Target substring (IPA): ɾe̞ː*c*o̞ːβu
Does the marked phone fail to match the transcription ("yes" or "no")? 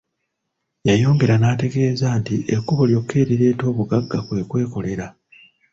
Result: yes